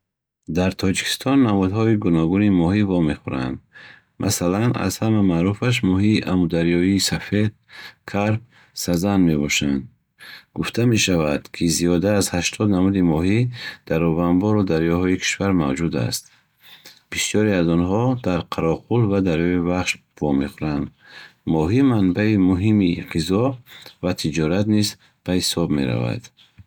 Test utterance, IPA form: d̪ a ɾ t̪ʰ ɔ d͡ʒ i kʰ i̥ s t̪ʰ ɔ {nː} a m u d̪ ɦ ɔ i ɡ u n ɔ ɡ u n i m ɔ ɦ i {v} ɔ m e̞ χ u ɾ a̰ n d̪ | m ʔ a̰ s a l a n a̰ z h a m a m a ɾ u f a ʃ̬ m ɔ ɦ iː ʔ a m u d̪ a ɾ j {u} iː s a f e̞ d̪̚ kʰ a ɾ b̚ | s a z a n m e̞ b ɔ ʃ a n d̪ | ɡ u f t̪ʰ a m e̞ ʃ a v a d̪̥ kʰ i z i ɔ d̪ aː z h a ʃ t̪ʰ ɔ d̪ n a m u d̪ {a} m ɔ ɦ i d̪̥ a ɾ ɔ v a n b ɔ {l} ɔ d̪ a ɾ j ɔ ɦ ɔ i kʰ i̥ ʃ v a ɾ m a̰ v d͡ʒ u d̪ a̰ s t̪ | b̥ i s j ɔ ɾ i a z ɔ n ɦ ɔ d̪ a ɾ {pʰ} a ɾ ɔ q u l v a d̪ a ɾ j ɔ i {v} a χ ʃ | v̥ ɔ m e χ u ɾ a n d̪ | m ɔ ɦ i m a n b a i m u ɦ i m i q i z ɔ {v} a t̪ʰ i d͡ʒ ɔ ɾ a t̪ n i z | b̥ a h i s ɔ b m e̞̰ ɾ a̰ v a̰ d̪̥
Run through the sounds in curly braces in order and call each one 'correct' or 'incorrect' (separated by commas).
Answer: correct, correct, incorrect, incorrect, incorrect, incorrect, correct, correct